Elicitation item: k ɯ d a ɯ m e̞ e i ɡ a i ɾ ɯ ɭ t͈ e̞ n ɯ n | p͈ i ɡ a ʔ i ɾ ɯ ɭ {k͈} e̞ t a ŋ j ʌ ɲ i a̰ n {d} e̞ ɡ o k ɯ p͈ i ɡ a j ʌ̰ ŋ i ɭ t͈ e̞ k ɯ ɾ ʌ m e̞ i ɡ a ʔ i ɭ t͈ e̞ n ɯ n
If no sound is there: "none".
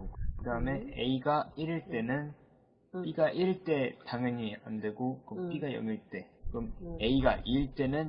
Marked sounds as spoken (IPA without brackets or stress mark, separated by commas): t͈, d